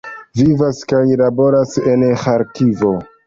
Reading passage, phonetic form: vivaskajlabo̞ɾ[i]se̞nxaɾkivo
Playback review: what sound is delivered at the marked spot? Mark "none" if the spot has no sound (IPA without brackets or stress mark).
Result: a